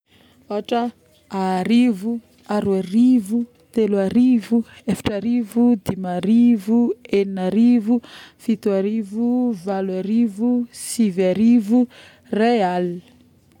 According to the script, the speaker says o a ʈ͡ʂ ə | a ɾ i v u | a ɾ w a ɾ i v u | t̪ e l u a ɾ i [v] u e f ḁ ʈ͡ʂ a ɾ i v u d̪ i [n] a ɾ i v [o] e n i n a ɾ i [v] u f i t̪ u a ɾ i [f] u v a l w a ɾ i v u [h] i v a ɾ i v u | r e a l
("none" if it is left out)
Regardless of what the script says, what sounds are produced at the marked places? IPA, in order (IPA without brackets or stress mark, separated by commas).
v, m, u, v, v, s